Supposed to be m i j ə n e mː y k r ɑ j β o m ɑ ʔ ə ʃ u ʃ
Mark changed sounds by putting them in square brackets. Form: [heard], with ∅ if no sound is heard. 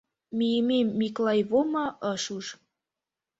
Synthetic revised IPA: m i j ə [m] e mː [i] k [l] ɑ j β o m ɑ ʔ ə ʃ u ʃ

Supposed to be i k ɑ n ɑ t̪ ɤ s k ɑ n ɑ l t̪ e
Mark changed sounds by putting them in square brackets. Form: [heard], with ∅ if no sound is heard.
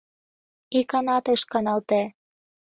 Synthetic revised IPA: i k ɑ n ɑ t̪ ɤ [ʃ] k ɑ n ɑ l t̪ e

